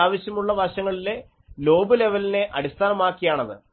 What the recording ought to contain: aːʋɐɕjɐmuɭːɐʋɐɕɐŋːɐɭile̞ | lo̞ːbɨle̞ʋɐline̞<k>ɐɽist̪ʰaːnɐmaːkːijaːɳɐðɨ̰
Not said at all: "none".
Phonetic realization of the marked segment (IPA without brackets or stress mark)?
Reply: ʔ